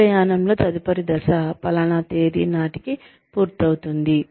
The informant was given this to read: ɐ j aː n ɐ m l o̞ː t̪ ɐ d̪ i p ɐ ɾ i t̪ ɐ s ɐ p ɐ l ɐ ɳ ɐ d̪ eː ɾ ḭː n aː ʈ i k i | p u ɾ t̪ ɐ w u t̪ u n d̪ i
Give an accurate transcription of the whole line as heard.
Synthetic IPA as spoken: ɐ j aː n ɐ m l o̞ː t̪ ɐ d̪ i p ɐ ɾ i d̪ ɐ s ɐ p ɐ l ɐ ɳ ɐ t̪ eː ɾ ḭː n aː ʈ i k i | p uː ɾ t̪ ɐ w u t̪ u n d̪ i